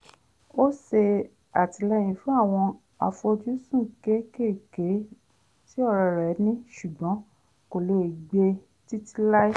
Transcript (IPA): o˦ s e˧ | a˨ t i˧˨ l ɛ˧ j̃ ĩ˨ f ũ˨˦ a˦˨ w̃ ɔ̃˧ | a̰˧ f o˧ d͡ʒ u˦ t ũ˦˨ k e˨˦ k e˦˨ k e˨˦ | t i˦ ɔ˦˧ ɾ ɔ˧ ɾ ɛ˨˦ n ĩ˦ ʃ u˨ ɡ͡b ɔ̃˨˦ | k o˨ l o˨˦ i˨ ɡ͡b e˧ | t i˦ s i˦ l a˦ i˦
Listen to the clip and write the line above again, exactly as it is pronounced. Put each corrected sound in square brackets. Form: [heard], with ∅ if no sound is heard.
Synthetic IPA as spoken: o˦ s e˧ | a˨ t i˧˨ l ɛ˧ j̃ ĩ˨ f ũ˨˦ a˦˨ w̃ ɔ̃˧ | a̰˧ f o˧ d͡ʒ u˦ [s] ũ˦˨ k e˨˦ k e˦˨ k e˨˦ | t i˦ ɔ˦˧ ɾ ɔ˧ ɾ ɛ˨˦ n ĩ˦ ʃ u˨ ɡ͡b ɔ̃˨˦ | k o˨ l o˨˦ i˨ ɡ͡b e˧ | t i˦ [t] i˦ l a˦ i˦

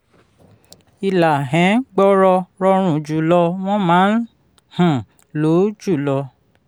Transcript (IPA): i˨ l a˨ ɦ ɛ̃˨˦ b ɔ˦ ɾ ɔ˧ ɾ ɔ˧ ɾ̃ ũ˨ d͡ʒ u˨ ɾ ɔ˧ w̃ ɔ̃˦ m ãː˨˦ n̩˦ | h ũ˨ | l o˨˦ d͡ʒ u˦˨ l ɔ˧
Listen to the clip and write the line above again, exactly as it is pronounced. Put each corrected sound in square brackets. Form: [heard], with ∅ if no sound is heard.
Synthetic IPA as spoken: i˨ l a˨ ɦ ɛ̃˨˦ [ɡ͡b] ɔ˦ ɾ ɔ˧ ɾ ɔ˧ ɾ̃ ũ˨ d͡ʒ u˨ [l] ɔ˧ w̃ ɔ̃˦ m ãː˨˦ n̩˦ | h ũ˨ | l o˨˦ d͡ʒ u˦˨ l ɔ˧

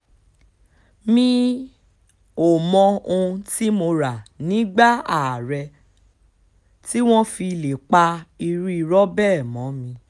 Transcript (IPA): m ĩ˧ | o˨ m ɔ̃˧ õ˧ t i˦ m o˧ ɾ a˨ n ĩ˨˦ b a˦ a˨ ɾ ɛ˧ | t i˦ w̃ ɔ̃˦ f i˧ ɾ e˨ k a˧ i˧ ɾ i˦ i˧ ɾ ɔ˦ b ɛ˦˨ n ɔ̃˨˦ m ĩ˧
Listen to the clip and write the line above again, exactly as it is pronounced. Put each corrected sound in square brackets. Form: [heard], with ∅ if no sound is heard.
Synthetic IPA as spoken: m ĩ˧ | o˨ m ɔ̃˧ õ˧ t i˦ m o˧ ɾ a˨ n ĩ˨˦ [ɡ͡b] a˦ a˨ ɾ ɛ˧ | t i˦ w̃ ɔ̃˦ f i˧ [l] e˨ [k͡p] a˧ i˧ ɾ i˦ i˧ ɾ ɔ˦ b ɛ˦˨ [m] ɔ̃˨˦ m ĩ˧

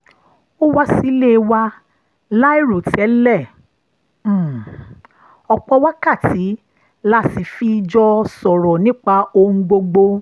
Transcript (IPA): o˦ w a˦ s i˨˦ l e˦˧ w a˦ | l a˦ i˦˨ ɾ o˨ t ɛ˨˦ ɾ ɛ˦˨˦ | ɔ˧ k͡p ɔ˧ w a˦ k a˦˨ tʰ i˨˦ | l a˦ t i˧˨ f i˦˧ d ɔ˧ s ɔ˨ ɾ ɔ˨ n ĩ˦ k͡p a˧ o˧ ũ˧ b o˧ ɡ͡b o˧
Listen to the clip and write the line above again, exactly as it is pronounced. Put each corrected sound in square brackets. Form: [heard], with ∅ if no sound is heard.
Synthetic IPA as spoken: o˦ w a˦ s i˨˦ l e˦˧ w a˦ | l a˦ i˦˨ ɾ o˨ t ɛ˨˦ [l] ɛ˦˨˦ | ɔ˧ k͡p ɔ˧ w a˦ k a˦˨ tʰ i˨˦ | l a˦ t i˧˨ f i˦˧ [d͡ʒ] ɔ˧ s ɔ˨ ɾ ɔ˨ n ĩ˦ k͡p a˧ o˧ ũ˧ [ɡ͡b] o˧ ɡ͡b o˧

